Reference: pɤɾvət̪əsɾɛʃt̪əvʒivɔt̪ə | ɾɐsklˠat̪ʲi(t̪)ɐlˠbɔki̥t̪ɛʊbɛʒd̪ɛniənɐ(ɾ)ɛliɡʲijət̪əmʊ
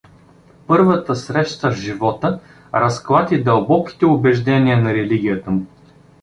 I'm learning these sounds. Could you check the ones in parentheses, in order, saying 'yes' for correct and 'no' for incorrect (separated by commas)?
no, yes